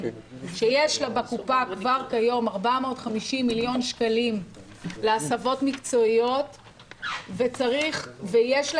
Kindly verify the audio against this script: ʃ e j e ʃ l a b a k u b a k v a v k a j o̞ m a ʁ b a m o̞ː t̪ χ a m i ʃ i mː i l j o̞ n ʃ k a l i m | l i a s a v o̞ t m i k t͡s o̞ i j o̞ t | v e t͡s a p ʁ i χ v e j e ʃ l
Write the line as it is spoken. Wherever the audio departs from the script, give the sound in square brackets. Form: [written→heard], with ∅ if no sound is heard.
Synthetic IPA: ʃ e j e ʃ l a b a k u [b→p] a k v a [v→ʁ] k a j o̞ m a ʁ b a m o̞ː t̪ χ a m i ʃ i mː i l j o̞ n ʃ k a l i m | l [i→e] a s a v o̞ t m i k t͡s o̞ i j o̞ t | v e t͡s a [p→∅] ʁ i χ v e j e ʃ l